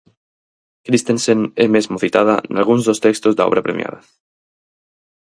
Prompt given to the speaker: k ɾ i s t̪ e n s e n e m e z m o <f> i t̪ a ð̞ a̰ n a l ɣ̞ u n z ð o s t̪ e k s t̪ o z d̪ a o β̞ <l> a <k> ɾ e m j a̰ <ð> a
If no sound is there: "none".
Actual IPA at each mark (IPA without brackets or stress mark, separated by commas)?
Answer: θ, ɾ, p, ð